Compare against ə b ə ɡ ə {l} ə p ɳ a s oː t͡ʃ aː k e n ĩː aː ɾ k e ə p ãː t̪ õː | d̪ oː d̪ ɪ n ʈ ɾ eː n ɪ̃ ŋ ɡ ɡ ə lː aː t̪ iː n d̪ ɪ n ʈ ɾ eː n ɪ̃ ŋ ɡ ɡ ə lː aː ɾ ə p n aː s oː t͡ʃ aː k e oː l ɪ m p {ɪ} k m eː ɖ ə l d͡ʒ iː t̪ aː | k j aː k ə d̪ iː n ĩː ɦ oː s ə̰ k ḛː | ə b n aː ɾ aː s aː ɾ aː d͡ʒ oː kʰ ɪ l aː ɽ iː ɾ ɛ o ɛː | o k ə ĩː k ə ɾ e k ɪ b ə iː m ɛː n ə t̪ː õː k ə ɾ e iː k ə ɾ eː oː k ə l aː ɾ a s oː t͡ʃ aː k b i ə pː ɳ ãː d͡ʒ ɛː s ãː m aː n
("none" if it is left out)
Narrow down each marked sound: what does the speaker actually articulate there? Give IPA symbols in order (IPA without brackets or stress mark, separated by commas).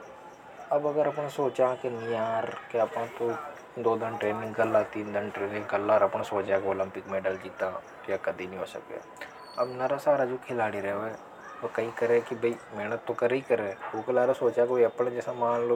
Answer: ɾ, ɪ